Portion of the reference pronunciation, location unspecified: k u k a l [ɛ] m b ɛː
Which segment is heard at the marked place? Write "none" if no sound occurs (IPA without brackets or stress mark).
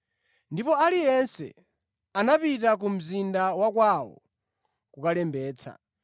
ɛ